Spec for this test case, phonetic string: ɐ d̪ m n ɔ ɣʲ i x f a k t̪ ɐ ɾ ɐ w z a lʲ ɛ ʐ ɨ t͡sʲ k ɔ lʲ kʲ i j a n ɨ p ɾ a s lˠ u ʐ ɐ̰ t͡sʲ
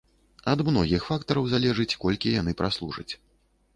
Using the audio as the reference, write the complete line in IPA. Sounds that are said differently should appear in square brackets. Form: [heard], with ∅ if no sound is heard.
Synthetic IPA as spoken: ɐ d̪ m n ɔ ɣʲ i x f a k t̪ ɐ ɾ ɐ w z a lʲ ɛ ʐ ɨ t͡sʲ k ɔ lʲ kʲ i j a n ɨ p ɾ a s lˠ u ʐ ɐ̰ t͡sʲ